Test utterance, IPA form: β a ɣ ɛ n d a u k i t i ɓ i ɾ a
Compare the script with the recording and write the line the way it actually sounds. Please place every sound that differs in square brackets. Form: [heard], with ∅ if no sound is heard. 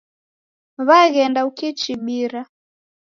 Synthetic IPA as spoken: β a ɣ ɛ n d a u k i [t͡ʃ] i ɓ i ɾ a